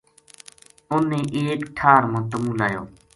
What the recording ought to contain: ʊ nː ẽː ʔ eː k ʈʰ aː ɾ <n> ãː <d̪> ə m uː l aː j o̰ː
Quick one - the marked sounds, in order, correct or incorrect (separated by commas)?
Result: incorrect, incorrect